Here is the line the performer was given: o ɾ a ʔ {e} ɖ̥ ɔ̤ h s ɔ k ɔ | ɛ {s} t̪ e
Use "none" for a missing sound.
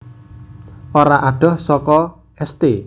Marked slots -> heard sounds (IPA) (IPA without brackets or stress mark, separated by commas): a, s